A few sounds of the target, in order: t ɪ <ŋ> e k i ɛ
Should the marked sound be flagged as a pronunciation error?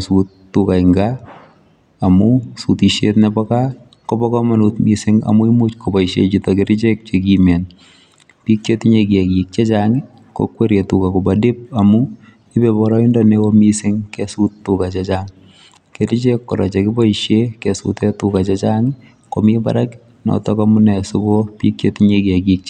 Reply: yes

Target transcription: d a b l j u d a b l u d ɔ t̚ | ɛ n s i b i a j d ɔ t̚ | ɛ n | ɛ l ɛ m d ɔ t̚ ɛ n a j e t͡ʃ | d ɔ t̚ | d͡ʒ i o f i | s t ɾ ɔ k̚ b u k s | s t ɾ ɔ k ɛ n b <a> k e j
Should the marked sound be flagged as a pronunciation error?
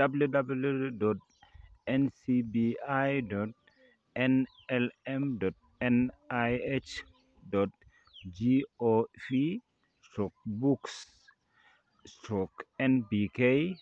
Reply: yes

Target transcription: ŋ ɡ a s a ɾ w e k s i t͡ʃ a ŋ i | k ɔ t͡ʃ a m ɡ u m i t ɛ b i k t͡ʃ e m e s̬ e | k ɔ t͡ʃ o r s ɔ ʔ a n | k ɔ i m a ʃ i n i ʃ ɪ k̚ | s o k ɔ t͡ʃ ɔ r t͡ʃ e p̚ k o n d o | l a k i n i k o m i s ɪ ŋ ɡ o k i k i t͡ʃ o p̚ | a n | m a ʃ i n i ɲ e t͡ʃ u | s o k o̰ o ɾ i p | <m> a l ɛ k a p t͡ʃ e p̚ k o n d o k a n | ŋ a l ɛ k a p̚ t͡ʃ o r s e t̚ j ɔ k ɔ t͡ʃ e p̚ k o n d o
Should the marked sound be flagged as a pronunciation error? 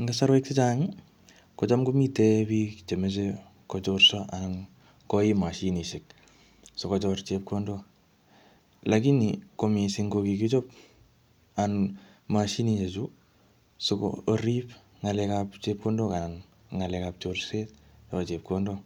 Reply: yes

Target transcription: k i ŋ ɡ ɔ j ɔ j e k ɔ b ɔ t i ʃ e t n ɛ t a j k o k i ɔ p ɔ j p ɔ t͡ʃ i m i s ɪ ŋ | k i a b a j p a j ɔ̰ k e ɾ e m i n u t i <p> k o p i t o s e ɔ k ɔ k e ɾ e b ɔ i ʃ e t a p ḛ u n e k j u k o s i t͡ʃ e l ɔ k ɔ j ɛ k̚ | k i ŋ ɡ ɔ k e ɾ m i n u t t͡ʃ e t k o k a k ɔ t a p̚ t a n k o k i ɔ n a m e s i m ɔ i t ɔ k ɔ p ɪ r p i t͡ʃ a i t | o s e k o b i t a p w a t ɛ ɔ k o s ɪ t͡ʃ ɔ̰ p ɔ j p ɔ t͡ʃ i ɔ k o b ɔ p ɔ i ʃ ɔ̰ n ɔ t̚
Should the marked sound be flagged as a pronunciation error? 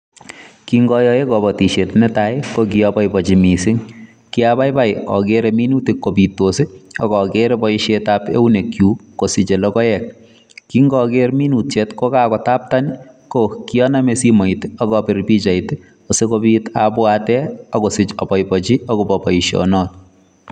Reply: yes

